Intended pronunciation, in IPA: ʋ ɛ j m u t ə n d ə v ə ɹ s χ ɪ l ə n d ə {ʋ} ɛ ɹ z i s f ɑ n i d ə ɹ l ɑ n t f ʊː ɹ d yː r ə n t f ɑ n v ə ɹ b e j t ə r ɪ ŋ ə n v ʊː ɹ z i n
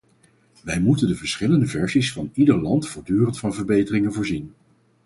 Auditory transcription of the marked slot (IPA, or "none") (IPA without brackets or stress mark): v